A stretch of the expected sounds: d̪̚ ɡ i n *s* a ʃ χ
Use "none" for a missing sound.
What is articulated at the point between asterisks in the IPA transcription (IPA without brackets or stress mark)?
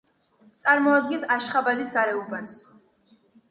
s